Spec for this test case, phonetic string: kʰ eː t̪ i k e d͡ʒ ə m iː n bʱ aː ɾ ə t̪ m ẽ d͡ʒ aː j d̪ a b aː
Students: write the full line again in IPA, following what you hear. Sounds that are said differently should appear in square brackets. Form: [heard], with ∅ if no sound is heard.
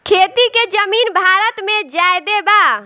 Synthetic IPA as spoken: kʰ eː t̪ i k e d͡ʒ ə m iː n bʱ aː ɾ ə t̪ m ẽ d͡ʒ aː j d̪ [e] b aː